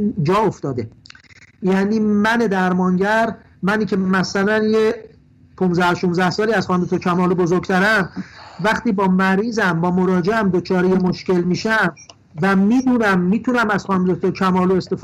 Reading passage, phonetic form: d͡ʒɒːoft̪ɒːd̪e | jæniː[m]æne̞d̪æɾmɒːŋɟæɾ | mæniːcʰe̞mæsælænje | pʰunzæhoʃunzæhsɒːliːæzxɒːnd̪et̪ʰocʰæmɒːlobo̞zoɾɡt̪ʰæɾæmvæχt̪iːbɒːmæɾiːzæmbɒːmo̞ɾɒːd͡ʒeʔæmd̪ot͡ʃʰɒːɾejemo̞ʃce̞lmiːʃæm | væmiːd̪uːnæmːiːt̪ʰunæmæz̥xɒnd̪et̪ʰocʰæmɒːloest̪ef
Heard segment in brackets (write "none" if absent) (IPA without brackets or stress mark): m